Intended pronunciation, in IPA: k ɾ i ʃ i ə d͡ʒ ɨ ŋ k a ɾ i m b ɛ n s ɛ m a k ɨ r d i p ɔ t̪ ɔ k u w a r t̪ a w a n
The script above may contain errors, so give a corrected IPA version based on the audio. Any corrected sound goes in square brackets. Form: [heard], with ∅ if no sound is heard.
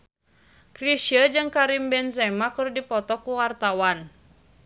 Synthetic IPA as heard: k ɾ i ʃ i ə d͡ʒ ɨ ŋ k a ɾ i m b ɛ n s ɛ m a k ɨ r d i p ɔ t̪ ɔ k u w a r t̪ a w a n